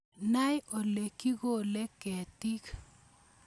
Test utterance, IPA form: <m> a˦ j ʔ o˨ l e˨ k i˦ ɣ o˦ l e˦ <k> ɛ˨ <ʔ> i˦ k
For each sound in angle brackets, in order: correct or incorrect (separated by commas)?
incorrect, correct, incorrect